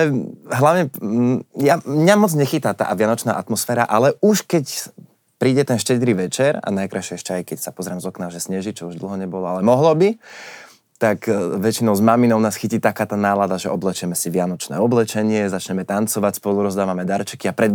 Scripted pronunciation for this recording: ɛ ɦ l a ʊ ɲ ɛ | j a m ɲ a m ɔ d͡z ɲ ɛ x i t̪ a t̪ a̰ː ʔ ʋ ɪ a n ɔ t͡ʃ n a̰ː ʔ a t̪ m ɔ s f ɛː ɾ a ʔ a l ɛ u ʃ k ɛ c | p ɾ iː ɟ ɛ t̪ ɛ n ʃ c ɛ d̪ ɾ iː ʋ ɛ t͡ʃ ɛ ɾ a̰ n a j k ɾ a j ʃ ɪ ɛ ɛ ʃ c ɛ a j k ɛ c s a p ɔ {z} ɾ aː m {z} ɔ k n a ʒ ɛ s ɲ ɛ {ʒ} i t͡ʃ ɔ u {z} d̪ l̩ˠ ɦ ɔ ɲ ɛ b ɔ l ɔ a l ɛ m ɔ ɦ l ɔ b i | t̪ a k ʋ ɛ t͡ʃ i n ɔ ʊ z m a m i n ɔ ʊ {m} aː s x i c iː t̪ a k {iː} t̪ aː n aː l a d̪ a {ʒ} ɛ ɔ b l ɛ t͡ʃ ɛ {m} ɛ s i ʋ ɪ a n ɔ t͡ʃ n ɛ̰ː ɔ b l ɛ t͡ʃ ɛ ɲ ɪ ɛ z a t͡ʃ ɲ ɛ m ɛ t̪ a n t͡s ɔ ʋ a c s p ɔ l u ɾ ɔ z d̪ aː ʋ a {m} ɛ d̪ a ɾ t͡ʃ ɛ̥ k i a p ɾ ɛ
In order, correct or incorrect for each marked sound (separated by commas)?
correct, correct, correct, incorrect, incorrect, incorrect, correct, correct, correct